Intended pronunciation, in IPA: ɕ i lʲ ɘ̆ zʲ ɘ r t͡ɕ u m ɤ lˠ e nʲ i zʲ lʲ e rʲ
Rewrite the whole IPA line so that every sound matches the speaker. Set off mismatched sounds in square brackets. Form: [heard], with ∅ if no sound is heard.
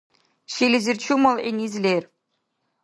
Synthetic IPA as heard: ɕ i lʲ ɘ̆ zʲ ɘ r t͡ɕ u m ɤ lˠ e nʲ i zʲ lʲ e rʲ